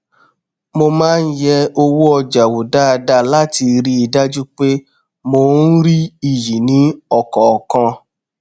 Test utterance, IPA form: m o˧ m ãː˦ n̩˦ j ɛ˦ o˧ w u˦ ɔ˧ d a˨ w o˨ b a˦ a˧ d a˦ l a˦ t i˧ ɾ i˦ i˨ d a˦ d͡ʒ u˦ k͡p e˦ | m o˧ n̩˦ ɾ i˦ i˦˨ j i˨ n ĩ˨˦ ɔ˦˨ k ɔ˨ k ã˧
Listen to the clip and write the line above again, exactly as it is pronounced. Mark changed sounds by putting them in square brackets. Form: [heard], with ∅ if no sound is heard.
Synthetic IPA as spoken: m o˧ m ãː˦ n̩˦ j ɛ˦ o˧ w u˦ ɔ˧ [d͡ʒ] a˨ w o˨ [d] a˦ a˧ d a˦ l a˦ t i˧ ɾ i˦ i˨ d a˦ d͡ʒ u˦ k͡p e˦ | m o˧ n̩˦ ɾ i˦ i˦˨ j i˨ n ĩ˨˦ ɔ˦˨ k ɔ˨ k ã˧